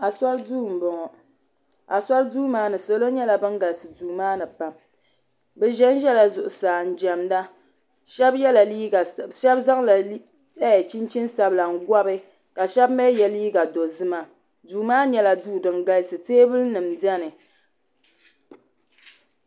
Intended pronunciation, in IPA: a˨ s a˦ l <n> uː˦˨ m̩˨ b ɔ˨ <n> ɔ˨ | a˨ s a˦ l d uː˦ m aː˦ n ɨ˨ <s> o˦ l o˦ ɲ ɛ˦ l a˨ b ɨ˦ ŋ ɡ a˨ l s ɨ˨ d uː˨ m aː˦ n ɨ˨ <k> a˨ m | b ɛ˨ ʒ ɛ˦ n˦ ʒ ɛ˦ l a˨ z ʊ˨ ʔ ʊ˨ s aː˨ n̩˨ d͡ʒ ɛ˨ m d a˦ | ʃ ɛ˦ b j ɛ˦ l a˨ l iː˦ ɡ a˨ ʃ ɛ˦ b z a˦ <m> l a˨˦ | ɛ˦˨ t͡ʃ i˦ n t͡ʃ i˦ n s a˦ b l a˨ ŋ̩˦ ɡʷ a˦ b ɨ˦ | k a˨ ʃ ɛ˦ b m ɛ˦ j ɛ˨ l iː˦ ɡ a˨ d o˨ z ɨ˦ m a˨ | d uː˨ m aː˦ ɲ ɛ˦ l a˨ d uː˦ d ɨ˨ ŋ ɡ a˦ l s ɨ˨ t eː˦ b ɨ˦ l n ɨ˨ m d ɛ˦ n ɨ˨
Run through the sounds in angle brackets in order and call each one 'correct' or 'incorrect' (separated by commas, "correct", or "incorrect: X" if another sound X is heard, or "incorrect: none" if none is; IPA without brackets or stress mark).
incorrect: d, incorrect: ŋ, correct, incorrect: p, incorrect: ŋ